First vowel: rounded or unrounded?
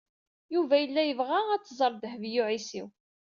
rounded